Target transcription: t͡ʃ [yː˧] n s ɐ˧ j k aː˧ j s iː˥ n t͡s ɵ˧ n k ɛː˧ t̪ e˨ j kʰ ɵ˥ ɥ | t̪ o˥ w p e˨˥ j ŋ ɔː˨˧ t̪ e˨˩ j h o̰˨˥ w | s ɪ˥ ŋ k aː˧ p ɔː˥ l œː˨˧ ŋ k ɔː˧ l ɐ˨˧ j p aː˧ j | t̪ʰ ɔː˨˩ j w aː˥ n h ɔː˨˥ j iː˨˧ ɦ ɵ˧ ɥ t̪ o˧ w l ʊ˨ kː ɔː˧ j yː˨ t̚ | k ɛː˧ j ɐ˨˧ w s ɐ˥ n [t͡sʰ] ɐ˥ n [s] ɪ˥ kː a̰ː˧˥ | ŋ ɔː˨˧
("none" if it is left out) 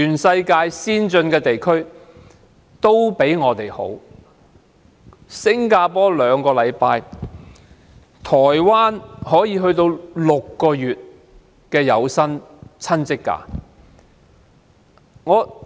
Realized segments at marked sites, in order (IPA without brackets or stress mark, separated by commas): yː˨˩, t͡sʰ, t͡s